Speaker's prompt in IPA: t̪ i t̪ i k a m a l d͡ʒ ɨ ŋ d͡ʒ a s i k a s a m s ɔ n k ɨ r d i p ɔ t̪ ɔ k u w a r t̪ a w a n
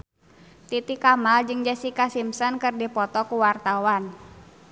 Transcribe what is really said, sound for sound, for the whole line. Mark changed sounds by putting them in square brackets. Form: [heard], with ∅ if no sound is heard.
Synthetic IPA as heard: t̪ i t̪ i k a m a l d͡ʒ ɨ ŋ d͡ʒ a s i k a s [i] m s ɔ n k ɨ r d i p ɔ t̪ ɔ k u w a r t̪ a w a n

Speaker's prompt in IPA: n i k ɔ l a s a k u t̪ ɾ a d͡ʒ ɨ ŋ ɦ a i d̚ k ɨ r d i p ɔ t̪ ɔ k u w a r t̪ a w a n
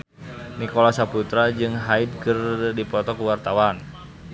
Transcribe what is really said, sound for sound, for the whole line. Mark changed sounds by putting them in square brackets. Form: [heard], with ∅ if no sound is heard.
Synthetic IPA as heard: n i k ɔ l a s a [p] u t̪ ɾ a d͡ʒ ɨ ŋ ɦ a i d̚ k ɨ r d i p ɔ t̪ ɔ k u w a r t̪ a w a n

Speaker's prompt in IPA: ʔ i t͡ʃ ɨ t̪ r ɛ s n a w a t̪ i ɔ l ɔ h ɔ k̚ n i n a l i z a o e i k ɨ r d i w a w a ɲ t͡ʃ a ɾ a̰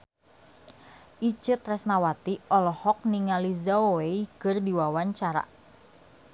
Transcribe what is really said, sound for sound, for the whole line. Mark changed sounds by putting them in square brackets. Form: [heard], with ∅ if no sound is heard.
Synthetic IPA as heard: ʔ i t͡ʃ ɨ t̪ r ɛ s n a w a t̪ i ɔ l ɔ h ɔ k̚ n i [ŋ] a l i z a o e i k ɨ r d i w a w a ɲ t͡ʃ a ɾ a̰

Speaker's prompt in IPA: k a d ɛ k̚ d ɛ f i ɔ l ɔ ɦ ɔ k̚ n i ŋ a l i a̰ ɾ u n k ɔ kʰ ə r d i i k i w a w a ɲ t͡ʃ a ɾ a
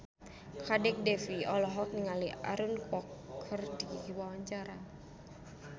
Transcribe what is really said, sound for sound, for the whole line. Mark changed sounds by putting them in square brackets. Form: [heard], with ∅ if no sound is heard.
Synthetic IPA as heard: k a d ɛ k̚ d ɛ f i ɔ l ɔ ɦ ɔ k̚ n i ŋ a l i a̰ ɾ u n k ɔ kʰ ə r d i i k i w a w a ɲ t͡ʃ a ɾ a

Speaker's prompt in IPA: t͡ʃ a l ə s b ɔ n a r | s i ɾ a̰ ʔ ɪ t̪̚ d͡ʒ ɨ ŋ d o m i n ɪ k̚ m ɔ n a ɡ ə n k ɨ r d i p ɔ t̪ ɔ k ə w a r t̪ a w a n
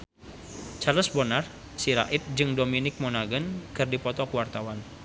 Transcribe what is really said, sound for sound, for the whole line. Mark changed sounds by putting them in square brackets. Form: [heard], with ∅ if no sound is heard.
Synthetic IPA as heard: t͡ʃ a l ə s b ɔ n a r | s i ɾ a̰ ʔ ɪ t̪̚ d͡ʒ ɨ ŋ d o m i n ɪ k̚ m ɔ n a ɡ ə n k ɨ r d i p ɔ t̪ ɔ k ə w a r t̪ a w a n

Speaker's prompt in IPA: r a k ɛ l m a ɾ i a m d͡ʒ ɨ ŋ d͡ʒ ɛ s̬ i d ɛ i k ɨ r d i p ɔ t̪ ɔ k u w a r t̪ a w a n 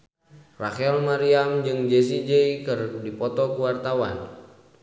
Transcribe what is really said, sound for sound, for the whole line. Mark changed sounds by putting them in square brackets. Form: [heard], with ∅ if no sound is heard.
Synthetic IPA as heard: r a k ɛ l m a ɾ i a m d͡ʒ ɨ ŋ d͡ʒ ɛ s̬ i [d͡ʒ] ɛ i k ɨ r d i p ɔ t̪ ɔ k u w a r t̪ a w a n

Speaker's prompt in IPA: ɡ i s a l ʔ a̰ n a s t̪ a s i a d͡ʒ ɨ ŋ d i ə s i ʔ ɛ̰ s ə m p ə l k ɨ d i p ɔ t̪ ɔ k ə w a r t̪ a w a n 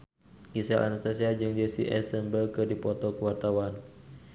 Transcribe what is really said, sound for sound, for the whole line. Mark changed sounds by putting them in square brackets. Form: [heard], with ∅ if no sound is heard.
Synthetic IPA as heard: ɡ i s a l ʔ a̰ n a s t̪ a s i a d͡ʒ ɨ ŋ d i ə s i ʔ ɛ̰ s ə m [b] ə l k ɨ d i p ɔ t̪ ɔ k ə w a r t̪ a w a n

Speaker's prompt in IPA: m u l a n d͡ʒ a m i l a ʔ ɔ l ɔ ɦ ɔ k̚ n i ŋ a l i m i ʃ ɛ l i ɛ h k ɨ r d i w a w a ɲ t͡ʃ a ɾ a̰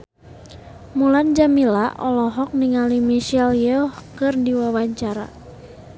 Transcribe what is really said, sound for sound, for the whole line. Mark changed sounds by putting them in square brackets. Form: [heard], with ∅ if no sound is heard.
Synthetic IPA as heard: m u l a n d͡ʒ a m i l a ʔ ɔ l ɔ ɦ ɔ k̚ n i ŋ a l i m i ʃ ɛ l [j] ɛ h k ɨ r d i w a w a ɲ t͡ʃ a ɾ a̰

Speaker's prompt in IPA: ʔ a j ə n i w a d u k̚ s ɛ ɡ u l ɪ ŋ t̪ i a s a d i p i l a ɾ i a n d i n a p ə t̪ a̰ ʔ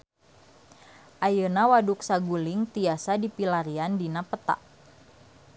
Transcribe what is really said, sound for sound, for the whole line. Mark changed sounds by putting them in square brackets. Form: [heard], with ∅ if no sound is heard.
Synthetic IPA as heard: ʔ a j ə n [a] w a d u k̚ s [a] ɡ u l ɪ ŋ t̪ i a s a d i p i l a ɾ i a n d i n a p ə t̪ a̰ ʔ

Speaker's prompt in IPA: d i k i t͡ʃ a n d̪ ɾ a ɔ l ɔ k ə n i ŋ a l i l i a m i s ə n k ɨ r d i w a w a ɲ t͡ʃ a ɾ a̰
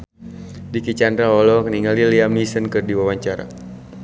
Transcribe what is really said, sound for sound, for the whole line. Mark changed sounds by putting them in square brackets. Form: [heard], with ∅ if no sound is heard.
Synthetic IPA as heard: d i k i t͡ʃ a n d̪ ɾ a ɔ l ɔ k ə n i ŋ a l i l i a m i s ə n k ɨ r d i w a w a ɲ t͡ʃ a ɾ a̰

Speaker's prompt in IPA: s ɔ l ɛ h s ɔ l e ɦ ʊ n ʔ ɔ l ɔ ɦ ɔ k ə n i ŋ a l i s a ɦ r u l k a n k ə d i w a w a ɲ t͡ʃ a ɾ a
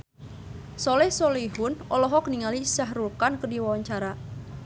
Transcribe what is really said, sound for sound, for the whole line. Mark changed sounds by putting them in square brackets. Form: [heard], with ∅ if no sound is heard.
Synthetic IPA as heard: s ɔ l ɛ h s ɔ l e ɦ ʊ n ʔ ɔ l ɔ ɦ ɔ k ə n i ŋ a l i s a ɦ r u l k a n k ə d i w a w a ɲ t͡ʃ a ɾ a

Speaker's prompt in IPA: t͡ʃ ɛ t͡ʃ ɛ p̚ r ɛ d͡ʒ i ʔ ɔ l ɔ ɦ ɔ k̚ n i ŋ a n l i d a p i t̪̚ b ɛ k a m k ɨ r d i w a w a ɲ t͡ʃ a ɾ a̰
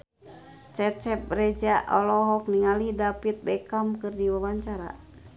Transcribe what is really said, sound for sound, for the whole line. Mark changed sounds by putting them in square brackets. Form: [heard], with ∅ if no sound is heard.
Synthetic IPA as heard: t͡ʃ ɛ t͡ʃ ɛ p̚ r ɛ d͡ʒ [a] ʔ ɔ l ɔ ɦ ɔ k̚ n i ŋ a [∅] l i d a p i t̪̚ b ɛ k a m k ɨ r d i w a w a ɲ t͡ʃ a ɾ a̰

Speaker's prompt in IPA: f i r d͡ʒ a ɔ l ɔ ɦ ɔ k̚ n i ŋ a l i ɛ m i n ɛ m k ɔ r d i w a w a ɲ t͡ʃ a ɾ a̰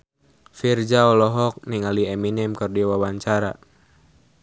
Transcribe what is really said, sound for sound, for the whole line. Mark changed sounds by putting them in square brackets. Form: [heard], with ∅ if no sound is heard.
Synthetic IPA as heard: f i r d͡ʒ a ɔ l ɔ ɦ ɔ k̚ n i ŋ a l i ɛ m i n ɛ m k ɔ r d i w a w a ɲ t͡ʃ a ɾ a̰

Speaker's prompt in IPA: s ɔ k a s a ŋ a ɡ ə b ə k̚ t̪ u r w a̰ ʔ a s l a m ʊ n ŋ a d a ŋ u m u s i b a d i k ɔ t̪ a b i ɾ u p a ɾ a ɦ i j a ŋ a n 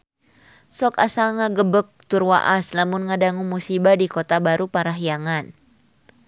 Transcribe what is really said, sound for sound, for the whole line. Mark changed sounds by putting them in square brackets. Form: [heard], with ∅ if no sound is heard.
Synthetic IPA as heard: s ɔ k a s a ŋ a ɡ ə b ə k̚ t̪ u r w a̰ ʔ a s l a m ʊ n ŋ a d a ŋ u m u s i b a d i k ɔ t̪ a b [a] ɾ u p a ɾ a ɦ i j a ŋ a n

